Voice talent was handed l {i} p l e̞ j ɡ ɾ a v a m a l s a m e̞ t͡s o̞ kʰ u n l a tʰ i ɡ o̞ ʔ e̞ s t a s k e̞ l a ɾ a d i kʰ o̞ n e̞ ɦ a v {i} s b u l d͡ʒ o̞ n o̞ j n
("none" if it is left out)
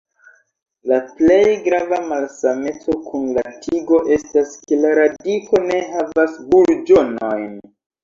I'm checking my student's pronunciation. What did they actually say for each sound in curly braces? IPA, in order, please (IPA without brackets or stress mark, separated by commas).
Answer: a, a